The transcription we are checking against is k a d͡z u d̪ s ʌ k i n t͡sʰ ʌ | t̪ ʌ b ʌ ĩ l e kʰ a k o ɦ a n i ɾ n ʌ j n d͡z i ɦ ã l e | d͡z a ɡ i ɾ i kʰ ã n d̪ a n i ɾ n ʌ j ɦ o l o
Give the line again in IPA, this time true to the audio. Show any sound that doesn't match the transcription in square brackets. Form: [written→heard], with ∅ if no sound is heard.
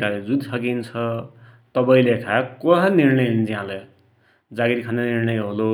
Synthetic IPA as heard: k a d͡z u d̪ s ʌ k i n t͡sʰ ʌ | t̪ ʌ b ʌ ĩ l e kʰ a k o ɦ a n i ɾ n ʌ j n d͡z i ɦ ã l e | d͡z a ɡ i ɾ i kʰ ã n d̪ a n i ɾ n ʌ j ɦ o l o